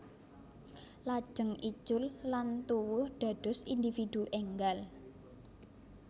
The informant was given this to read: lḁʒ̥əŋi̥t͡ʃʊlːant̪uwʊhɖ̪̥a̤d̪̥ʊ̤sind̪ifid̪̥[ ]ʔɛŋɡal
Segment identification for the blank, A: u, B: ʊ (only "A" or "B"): A